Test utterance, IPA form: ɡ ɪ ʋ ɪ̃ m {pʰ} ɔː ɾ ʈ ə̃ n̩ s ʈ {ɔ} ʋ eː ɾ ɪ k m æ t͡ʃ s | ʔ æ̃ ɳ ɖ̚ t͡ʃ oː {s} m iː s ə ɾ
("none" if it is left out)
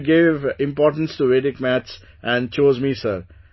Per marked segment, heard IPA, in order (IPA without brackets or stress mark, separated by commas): p, u, z